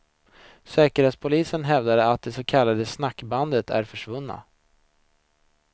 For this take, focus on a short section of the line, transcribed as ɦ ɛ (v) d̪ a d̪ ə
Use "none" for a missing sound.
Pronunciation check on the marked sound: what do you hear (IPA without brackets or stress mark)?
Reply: v